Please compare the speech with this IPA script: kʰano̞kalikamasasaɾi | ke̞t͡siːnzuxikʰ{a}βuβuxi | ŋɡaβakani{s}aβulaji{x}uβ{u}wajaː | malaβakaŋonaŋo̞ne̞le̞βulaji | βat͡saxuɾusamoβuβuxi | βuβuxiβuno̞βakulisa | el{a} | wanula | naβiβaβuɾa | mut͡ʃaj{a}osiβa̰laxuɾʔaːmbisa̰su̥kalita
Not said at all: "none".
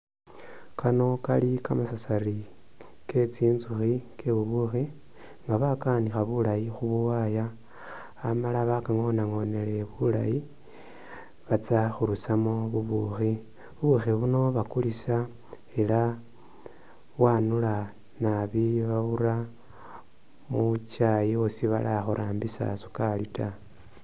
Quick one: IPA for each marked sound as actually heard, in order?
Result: e, x, x, u, a, i

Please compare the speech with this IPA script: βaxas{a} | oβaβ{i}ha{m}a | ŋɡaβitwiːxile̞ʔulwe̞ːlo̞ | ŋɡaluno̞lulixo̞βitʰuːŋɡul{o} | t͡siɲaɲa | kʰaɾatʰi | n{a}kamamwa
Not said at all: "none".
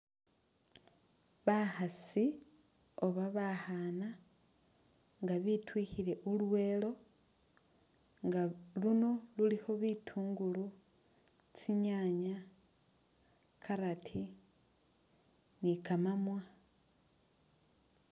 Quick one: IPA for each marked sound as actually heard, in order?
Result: i, a, n, u, i

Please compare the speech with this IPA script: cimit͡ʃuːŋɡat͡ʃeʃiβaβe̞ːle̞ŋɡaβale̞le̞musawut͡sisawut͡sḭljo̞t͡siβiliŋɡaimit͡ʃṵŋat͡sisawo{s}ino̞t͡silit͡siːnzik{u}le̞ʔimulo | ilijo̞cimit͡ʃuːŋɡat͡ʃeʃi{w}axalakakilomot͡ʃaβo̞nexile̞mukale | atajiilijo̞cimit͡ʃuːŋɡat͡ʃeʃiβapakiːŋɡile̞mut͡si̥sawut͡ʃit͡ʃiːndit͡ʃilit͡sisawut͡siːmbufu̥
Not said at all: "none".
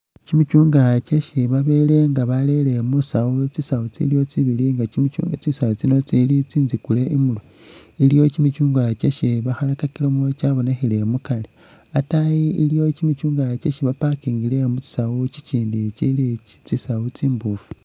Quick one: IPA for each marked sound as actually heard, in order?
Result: t͡s, u, β

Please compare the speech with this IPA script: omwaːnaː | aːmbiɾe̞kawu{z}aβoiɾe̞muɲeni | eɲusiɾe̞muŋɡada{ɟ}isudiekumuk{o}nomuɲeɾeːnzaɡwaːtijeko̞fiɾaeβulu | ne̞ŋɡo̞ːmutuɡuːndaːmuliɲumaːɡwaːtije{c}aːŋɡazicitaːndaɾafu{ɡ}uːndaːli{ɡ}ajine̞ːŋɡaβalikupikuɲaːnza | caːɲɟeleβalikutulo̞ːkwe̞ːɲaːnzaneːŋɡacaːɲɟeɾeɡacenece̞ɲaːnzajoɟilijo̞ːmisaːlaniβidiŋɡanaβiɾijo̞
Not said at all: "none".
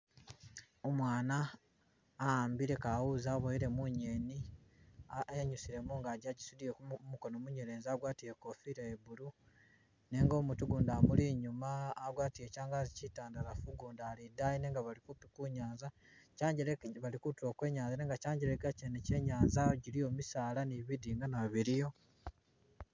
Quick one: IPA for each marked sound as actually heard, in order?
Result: z, ɟ, o, c, ɡ, d

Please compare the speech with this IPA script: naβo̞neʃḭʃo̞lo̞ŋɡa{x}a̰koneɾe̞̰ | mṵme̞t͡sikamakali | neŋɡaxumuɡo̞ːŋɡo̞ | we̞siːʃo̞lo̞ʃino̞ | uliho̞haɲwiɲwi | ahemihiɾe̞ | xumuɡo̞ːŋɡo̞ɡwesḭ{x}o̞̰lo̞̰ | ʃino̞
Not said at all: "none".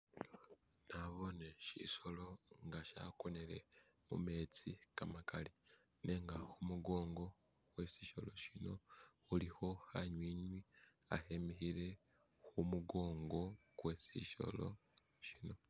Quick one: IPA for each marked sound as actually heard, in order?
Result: ʃ, ʃ

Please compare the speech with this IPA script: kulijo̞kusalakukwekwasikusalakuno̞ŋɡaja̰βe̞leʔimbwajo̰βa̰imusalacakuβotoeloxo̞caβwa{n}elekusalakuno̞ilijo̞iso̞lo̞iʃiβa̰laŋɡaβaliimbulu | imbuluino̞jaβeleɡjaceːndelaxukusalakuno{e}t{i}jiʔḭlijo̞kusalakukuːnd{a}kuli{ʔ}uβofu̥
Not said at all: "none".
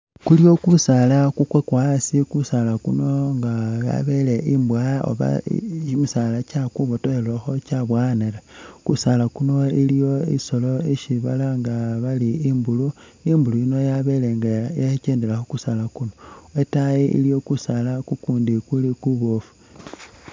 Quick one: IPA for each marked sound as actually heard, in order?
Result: n, e, a, i, k

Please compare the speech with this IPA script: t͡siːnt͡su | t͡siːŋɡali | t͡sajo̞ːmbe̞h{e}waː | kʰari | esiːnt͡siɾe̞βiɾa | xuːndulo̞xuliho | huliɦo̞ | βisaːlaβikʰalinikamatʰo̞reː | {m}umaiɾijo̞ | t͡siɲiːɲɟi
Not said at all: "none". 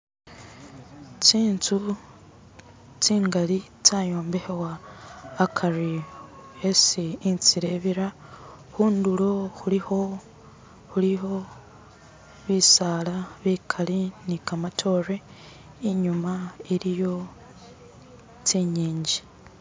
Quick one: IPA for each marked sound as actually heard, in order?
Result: e, ɲ

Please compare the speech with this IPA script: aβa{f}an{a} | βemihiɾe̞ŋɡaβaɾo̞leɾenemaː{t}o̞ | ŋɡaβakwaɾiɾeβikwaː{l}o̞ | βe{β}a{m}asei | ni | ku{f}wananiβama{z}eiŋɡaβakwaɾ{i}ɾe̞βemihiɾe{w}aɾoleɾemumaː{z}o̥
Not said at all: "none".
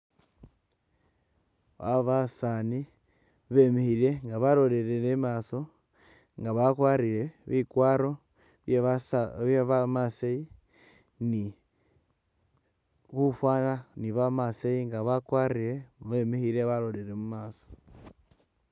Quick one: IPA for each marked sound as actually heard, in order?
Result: s, i, s, ɾ, β, m, f, s, i, β, s

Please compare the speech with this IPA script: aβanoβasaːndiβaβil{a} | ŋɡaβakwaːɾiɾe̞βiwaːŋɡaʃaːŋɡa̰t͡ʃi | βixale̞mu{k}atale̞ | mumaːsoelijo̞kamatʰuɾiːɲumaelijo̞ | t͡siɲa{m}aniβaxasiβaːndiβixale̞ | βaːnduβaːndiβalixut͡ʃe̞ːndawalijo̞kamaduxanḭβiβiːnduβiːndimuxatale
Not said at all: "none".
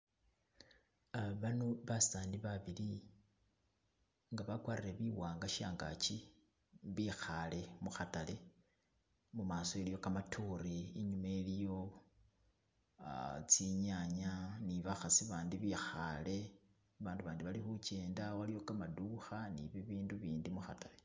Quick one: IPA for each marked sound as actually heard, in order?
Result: i, x, ɲ

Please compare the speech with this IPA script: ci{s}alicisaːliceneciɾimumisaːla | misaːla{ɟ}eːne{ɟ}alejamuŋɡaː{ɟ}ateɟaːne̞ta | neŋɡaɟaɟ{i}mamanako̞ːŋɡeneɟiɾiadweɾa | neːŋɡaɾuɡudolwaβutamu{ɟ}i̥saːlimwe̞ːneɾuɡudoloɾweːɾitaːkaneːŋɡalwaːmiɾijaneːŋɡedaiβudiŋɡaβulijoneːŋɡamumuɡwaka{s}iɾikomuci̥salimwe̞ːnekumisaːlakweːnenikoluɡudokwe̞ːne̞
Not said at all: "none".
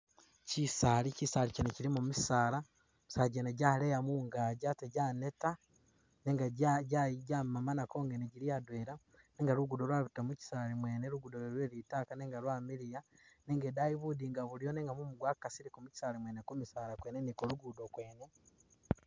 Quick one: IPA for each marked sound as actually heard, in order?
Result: s, ɟ, ɟ, ɟ, a, c, s

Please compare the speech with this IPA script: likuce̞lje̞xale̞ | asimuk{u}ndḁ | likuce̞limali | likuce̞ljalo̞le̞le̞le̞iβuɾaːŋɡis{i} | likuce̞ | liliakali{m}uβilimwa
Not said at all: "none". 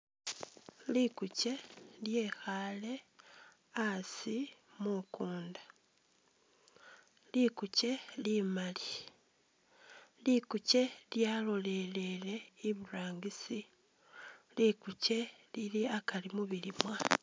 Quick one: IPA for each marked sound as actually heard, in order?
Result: uː, i, m

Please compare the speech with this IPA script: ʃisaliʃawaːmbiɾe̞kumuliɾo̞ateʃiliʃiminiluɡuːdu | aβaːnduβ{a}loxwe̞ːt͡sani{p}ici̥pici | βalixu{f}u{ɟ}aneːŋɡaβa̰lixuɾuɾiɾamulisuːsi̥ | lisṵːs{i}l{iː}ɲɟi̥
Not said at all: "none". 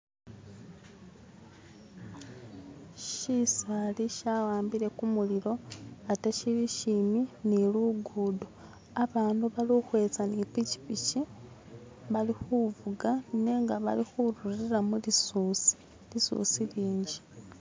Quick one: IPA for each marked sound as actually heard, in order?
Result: a, p, v, ɡ, i, iː

